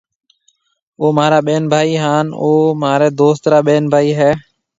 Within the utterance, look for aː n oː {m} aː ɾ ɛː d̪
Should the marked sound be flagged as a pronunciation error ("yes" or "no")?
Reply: no